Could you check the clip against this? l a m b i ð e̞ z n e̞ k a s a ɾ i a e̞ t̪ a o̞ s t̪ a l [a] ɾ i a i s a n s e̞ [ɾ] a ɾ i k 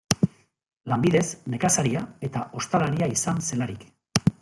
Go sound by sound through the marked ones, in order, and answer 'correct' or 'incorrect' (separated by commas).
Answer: correct, incorrect